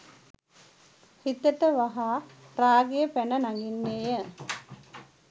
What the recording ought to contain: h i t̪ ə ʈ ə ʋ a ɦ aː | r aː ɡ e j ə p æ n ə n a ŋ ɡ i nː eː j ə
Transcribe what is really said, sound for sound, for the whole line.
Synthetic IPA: h i t̪ ə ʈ ə ʋ a ɦ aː | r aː ɡ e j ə p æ n ə n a ŋ ɡ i nː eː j ə